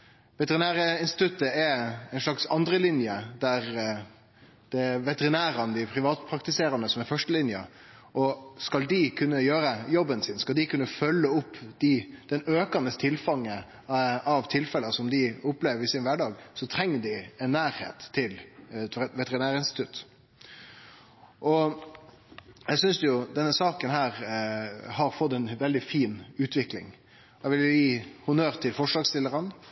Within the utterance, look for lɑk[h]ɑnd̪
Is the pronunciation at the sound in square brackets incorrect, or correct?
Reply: incorrect